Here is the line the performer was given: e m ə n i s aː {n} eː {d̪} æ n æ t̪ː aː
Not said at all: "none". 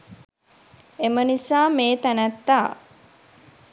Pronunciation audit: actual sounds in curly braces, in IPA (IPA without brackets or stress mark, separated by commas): m, t̪